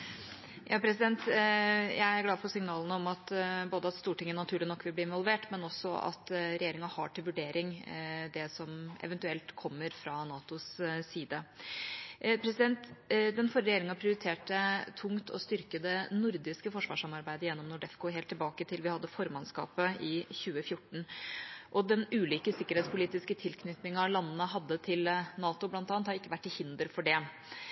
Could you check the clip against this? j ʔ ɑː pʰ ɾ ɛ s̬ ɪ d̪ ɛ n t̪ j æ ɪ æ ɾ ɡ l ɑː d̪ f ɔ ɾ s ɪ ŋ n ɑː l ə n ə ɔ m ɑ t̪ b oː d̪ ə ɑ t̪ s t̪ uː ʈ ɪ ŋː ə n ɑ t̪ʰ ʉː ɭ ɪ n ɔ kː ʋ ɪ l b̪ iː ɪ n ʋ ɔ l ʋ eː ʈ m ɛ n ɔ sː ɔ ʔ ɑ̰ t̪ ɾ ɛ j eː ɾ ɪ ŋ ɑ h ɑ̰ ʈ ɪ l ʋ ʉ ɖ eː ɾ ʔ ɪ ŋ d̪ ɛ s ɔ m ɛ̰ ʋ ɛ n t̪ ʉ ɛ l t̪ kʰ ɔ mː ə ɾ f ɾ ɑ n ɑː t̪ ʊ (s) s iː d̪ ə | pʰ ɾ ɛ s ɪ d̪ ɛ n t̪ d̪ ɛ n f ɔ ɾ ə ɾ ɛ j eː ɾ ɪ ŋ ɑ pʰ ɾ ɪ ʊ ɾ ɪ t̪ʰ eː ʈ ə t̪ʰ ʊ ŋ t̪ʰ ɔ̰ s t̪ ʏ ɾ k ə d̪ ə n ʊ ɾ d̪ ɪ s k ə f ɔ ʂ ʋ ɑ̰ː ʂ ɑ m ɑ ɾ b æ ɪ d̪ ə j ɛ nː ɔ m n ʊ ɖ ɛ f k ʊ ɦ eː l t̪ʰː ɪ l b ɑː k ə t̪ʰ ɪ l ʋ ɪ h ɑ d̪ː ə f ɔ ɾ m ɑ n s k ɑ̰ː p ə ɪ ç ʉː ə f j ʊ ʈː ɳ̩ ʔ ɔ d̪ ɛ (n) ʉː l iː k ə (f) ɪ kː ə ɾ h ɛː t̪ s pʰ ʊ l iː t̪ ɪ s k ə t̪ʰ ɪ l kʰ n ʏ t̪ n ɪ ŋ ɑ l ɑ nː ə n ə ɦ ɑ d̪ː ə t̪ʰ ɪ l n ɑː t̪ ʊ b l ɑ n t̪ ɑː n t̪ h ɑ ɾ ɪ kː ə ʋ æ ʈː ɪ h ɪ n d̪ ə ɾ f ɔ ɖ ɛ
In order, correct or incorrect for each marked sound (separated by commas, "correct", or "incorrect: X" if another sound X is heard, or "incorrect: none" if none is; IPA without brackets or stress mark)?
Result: correct, correct, incorrect: s